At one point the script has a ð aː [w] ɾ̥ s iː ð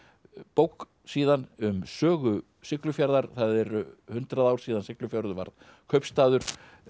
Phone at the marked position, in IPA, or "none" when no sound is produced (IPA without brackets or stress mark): w